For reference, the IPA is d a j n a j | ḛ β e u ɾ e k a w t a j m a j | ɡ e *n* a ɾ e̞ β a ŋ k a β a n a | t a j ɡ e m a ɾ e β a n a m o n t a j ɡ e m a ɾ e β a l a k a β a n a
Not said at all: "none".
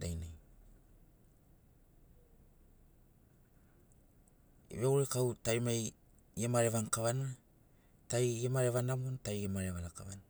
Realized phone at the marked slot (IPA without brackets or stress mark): m